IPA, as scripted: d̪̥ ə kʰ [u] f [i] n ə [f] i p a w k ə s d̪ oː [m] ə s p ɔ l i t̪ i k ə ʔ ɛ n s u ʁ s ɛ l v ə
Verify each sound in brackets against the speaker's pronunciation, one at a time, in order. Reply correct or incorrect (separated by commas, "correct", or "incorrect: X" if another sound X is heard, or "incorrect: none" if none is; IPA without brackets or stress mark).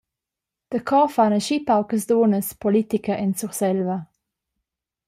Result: incorrect: ɔ, incorrect: a, incorrect: ʃ, incorrect: n